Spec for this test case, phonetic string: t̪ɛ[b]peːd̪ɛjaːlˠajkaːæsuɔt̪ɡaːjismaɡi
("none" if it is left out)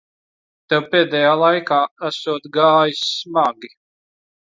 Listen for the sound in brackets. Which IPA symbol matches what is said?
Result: w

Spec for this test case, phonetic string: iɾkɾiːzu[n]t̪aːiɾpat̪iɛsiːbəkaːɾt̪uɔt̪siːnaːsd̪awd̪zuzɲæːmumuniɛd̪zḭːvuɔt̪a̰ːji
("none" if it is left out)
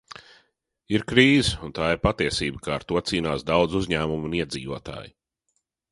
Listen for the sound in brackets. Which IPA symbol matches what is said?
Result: n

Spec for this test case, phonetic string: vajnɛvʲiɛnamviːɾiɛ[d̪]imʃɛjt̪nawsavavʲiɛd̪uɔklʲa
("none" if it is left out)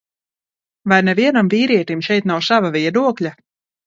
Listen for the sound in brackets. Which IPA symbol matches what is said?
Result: t̪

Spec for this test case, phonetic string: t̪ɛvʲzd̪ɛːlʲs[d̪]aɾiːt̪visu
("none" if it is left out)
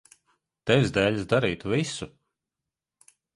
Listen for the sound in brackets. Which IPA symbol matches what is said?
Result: d̪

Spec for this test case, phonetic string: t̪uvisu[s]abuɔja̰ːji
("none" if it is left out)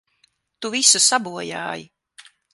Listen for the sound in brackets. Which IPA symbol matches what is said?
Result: s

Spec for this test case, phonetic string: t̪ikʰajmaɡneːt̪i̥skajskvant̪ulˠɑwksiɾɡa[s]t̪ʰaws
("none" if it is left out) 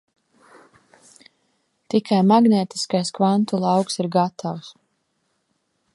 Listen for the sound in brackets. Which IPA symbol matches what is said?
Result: none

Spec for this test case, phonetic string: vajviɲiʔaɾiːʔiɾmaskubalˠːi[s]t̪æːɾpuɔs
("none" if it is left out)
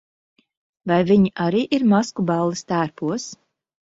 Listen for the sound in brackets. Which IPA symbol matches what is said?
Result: s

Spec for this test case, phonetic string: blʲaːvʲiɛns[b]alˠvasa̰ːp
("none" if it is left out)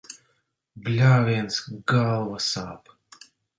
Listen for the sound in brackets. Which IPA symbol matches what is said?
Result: ɡ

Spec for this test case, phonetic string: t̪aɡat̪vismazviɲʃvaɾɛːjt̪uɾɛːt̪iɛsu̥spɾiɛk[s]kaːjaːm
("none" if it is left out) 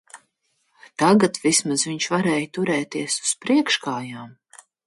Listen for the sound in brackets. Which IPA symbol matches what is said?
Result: ʃ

